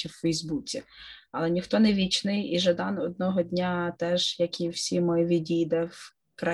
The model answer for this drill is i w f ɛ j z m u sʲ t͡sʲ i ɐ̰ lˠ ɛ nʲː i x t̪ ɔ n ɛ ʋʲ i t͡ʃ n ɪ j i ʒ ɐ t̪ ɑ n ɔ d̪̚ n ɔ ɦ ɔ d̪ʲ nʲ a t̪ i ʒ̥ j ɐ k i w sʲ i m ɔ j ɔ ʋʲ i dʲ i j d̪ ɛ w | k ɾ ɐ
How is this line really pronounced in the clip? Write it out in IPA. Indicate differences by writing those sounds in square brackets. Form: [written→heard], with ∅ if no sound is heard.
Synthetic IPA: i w f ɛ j z [m→b] u [sʲ→∅] t͡sʲ i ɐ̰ lˠ ɛ [nʲː→nʲ] i x t̪ ɔ n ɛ ʋʲ i t͡ʃ n ɪ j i ʒ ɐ [t̪→d̪] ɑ n ɔ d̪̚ n ɔ ɦ ɔ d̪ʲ nʲ a t̪ [i→ɛ] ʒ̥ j ɐ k i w sʲ i m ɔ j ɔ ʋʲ i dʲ i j d̪ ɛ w | k ɾ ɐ